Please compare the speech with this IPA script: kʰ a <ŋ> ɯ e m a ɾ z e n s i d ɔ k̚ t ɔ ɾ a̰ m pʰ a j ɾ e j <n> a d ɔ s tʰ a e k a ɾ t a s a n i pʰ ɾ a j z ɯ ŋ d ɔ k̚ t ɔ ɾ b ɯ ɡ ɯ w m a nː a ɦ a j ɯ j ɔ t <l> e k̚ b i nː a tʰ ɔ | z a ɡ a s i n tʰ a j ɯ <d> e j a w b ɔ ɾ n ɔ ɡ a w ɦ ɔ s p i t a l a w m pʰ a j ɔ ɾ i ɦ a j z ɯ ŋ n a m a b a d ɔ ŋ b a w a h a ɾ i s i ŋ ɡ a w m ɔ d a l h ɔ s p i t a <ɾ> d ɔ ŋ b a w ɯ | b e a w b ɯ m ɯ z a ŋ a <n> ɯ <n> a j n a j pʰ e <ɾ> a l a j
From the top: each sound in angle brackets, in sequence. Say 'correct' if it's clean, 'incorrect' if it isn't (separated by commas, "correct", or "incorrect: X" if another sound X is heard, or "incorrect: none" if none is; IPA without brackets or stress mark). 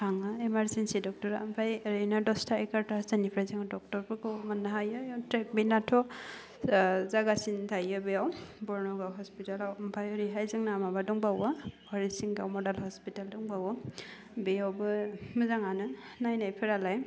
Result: correct, correct, incorrect: ɾ, incorrect: b, incorrect: l, correct, correct, correct